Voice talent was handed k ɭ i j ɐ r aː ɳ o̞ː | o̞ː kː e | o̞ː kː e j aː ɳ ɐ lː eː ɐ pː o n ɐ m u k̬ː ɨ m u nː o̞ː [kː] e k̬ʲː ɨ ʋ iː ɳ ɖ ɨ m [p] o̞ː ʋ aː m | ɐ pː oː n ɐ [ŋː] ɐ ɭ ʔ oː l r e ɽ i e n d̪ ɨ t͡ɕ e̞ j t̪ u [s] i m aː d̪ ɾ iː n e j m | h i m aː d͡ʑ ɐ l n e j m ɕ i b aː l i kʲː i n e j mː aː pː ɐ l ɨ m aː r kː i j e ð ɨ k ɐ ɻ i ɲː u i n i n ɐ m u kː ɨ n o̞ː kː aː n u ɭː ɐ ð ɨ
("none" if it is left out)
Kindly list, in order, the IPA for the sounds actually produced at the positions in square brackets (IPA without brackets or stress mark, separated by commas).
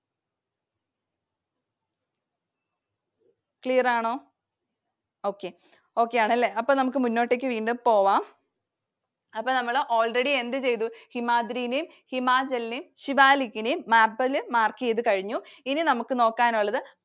ʈː, p, mː, h